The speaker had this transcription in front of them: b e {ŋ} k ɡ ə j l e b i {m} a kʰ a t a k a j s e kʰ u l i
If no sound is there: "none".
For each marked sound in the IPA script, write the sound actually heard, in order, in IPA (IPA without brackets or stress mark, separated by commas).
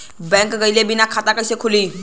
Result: ŋ, n